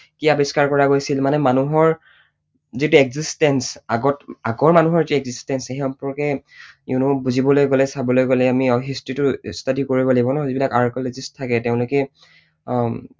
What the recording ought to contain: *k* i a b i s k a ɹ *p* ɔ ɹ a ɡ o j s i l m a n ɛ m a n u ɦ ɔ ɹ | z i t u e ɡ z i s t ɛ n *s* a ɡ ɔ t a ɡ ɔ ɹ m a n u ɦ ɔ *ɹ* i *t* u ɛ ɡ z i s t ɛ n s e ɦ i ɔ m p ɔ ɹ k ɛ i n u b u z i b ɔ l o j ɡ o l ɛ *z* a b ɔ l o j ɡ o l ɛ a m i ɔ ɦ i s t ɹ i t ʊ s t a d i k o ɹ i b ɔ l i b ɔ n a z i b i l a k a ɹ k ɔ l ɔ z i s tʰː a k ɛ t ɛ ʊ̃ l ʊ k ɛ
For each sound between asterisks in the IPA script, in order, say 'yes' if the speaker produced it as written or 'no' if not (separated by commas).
yes, no, yes, yes, yes, no